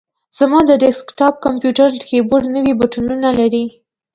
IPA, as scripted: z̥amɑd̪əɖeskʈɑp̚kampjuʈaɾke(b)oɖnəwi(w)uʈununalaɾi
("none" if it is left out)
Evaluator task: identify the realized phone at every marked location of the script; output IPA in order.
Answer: b, b

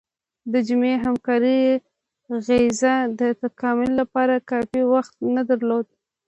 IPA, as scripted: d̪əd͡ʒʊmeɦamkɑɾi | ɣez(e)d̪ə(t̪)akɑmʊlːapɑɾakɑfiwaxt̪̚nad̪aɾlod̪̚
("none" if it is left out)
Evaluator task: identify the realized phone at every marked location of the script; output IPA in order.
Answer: a, t̪

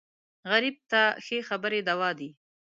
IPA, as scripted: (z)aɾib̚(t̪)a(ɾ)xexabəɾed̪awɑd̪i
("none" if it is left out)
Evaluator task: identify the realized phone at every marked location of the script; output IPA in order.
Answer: ɣ, t̪, none

